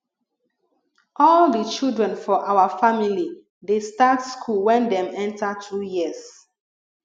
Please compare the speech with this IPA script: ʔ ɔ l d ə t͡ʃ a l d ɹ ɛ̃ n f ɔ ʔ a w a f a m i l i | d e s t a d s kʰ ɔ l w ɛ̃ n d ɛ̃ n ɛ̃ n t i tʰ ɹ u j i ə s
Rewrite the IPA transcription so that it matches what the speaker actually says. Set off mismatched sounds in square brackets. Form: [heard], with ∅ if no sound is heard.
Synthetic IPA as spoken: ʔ ɔ l d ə t͡ʃ [i] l d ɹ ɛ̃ n f ɔ ʔ a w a f a m i l i | d e s t a [t] s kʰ [u] l w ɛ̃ n d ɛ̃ [m] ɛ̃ n t [a] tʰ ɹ u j i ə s